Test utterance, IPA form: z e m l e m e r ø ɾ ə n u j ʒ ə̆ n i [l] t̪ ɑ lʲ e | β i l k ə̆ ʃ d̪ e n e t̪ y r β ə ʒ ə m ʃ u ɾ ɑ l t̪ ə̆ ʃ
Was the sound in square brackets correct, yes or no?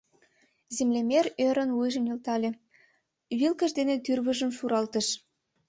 yes